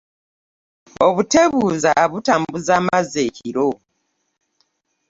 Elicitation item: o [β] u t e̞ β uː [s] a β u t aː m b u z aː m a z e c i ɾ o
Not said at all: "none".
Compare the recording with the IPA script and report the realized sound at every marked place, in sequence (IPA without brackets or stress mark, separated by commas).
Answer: β, z